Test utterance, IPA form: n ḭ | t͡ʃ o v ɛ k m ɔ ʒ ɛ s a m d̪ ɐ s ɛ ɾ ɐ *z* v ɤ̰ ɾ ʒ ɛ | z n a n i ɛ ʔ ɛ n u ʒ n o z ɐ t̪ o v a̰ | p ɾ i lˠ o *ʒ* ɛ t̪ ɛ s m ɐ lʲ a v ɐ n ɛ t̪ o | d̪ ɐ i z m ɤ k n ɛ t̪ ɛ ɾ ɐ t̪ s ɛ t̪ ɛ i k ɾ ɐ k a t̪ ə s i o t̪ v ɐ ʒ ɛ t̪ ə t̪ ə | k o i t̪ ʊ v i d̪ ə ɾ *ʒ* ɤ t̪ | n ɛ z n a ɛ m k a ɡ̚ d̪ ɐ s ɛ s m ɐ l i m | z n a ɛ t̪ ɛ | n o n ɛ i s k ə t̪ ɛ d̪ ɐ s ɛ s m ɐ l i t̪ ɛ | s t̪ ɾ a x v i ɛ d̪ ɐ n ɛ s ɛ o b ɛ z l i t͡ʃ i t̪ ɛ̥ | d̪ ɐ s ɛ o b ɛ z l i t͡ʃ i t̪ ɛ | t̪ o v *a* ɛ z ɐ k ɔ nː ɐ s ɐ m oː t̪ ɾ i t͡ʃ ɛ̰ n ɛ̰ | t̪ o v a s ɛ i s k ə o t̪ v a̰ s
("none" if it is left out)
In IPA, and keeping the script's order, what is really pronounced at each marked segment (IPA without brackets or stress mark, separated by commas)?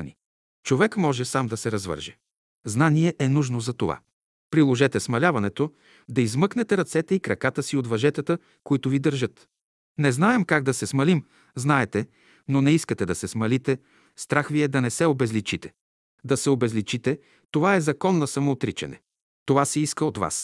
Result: z, ʒ, ʒ, a